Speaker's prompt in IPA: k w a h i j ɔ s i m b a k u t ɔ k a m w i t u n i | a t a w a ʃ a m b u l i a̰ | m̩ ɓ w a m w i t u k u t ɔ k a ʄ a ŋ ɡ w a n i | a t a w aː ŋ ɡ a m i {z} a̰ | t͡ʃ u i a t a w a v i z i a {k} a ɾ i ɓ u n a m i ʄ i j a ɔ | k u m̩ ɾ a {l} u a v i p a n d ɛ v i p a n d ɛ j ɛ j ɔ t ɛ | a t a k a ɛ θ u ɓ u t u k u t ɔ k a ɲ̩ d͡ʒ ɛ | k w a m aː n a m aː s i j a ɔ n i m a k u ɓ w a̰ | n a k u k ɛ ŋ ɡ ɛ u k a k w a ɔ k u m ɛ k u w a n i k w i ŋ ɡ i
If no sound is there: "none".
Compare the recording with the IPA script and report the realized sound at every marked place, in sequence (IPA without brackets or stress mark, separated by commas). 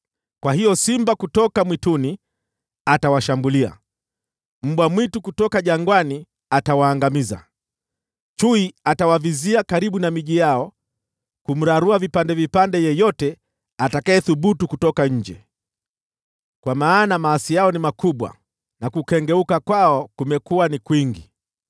z, k, ɾ